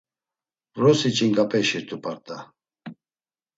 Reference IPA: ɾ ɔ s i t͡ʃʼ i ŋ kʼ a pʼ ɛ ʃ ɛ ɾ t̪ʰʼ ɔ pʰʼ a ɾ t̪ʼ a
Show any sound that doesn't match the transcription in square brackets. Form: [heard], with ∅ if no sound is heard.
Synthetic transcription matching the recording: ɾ ɔ s i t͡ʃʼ i ŋ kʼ a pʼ ɛ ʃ [i] ɾ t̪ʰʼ [u] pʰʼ a ɾ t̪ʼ a